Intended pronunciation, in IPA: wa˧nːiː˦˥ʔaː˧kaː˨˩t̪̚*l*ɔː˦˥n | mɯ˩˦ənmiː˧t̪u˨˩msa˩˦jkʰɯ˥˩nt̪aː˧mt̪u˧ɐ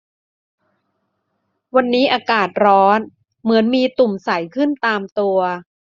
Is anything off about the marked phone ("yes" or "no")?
yes